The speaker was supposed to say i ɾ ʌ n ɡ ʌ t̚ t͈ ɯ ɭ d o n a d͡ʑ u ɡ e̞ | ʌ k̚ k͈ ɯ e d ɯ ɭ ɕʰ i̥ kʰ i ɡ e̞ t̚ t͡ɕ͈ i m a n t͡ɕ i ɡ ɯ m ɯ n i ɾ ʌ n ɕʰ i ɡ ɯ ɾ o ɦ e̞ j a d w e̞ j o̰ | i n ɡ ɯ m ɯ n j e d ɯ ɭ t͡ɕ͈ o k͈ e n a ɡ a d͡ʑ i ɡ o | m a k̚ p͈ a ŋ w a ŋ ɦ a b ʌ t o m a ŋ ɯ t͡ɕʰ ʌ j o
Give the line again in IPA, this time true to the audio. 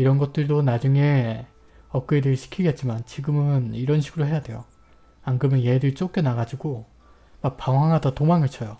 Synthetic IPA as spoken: i ɾ ʌ n ɡ ʌ t̚ t͈ ɯ ɭ d o n a d͡ʑ u ŋ e̞ | ʌ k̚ k͈ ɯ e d ɯ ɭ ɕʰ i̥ kʰ i ɡ e̞ t̚ t͡ɕ͈ i m a n t͡ɕ i ɡ ɯ m ɯ n i ɾ ʌ n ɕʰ i ɡ ɯ ɾ o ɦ e̞ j a d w e̞ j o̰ | a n ɡ ɯ m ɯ n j e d ɯ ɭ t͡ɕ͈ o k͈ e n a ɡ a d͡ʑ i ɡ o | m a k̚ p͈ a ŋ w a ŋ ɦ a d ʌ t o m a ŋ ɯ t͡ɕʰ ʌ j o